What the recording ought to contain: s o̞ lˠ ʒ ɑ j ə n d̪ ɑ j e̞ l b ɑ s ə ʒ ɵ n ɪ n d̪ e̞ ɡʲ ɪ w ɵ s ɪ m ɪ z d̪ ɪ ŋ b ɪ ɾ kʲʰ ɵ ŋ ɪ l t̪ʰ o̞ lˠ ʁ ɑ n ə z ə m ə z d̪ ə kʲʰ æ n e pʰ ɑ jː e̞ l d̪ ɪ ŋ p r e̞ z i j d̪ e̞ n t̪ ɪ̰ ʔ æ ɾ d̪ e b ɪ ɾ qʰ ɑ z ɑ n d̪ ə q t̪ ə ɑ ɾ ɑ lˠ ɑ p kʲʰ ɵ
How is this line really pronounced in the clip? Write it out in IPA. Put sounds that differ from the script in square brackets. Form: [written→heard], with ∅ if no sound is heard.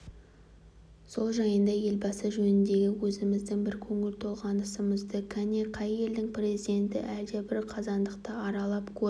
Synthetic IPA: s o̞ lˠ ʒ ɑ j ə n d̪ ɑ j e̞ l b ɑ s ə ʒ ɵ n ɪ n d̪ e̞ ɡʲ ɪ w ɵ [s→z] ɪ m ɪ z d̪ ɪ ŋ b ɪ ɾ kʲʰ ɵ ŋ ɪ l t̪ʰ o̞ lˠ ʁ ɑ n ə [z→s] ə m ə z d̪ ə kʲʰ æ n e [pʰ→qʰ] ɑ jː e̞ l d̪ ɪ ŋ p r e̞ z i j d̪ e̞ n t̪ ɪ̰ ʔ æ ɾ d̪ e b ɪ ɾ qʰ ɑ z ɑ n d̪ ə q t̪ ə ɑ ɾ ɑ lˠ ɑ p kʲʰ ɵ